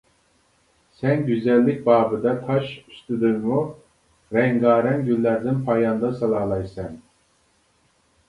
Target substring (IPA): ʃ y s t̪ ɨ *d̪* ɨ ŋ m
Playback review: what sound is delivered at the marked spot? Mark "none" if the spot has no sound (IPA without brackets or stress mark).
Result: d̪